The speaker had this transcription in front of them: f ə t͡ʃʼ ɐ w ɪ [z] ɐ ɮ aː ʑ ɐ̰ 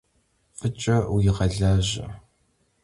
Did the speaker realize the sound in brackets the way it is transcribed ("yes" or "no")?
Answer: no